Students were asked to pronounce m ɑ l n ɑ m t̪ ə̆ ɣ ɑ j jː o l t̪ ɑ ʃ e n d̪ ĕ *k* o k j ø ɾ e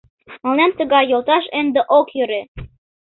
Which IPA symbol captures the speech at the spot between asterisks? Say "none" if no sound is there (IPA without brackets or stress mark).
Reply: ʔ